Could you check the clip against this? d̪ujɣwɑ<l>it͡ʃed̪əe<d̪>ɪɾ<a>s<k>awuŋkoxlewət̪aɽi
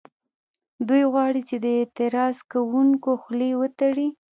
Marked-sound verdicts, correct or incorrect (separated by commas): incorrect, incorrect, incorrect, correct